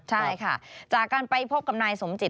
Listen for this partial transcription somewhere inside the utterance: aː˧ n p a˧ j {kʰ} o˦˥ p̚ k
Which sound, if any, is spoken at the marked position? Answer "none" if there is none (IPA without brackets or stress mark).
pʰ